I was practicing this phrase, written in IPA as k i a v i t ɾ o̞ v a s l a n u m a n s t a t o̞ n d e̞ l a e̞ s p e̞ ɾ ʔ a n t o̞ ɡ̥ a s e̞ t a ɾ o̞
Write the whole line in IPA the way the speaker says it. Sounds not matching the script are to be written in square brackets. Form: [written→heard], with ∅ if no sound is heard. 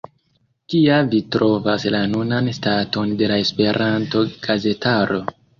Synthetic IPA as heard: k i a v i t ɾ o̞ v a s l a n u [m→n] a n s t a t o̞ n d e̞ l a e̞ s p e̞ ɾ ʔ a n t o̞ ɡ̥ a [s→z] e̞ t a ɾ o̞